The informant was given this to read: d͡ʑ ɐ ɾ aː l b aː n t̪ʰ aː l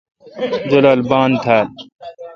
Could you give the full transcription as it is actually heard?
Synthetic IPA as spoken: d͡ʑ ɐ l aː l b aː n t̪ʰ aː l